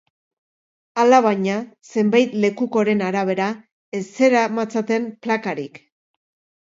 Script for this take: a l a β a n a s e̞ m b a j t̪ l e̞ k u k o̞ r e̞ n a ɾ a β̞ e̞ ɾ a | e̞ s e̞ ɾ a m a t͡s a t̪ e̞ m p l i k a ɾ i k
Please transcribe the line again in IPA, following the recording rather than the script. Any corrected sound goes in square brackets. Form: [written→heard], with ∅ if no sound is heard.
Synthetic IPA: a l a β a [n→ɲ] a s e̞ m b a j t̪ l e̞ k u k o̞ [r→ɾ] e̞ n a ɾ a β̞ e̞ ɾ a | e̞ s e̞ ɾ a m a t͡s a t̪ e̞ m p l [i→a] k a ɾ i k